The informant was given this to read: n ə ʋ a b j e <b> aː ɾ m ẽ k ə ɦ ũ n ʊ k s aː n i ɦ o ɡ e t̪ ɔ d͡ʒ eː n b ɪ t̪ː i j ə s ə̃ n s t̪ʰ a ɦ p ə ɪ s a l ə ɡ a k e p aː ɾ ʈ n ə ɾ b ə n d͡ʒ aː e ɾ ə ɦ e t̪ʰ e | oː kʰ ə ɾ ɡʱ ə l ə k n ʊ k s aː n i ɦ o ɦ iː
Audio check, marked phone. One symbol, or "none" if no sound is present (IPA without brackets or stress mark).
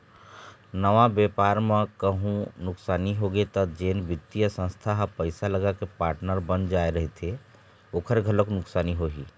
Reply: p